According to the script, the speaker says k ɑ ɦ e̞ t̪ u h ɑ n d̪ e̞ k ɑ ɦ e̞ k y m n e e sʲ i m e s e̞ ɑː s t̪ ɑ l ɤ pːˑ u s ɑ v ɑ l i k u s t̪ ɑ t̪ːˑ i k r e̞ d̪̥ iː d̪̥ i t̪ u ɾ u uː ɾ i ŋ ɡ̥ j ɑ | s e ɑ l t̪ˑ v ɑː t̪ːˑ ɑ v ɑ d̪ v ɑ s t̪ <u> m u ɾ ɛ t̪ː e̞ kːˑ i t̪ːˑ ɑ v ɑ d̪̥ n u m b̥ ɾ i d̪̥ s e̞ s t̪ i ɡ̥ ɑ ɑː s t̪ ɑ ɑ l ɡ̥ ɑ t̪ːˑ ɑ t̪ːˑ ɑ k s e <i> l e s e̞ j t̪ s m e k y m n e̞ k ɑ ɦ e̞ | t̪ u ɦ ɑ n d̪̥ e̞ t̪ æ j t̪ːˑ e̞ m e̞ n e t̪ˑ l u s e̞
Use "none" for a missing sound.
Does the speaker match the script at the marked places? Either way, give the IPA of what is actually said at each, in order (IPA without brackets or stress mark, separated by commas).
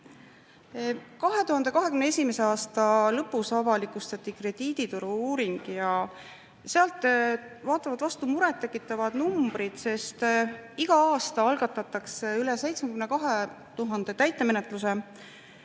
u, y